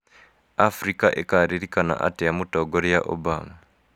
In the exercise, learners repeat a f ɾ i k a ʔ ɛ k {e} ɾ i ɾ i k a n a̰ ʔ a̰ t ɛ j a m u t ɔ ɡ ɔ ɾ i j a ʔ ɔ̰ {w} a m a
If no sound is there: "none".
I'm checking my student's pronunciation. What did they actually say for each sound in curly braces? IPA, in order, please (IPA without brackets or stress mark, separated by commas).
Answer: a, b